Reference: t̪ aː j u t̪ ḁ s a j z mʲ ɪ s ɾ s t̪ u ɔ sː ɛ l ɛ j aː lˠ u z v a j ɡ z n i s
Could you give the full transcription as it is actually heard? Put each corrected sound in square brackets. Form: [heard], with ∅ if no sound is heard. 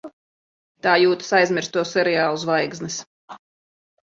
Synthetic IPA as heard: t̪ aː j [uː] t̪ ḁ s a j z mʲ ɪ [∅] ɾ s t̪ u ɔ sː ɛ [ɾ] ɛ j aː lˠ u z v a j ɡ z n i s